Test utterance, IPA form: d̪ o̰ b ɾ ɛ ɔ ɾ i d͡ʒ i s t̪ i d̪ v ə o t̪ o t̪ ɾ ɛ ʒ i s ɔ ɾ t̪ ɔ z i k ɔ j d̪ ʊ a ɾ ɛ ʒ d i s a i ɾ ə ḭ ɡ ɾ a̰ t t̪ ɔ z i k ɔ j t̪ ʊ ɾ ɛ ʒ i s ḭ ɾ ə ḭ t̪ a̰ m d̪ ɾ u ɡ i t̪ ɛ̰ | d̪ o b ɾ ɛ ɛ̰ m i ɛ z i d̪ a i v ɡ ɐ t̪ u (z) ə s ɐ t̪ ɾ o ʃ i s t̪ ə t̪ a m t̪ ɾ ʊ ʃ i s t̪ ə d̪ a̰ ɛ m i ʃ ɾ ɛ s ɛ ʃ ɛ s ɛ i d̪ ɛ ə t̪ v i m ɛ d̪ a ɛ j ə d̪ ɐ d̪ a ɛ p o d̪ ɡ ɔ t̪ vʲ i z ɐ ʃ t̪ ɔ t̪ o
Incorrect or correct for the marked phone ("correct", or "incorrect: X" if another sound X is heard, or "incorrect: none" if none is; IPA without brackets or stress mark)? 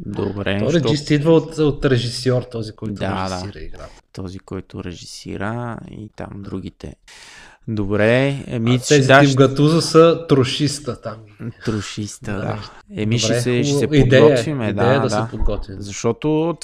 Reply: correct